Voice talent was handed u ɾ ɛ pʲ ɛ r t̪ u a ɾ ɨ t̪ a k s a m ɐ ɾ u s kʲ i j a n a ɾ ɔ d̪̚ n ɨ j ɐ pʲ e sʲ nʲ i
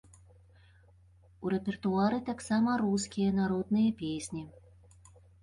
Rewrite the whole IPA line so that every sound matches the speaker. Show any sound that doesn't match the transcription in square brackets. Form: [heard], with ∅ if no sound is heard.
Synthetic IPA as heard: u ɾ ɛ pʲ ɛ r t̪ u a ɾ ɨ t̪ a k s a m ɐ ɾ u s kʲ i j [ɐ] n a ɾ ɔ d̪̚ n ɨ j ɐ pʲ e sʲ nʲ i